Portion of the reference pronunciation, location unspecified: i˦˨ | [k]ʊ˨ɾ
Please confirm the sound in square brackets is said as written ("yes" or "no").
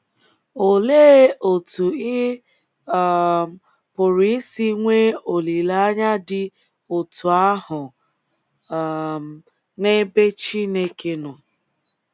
no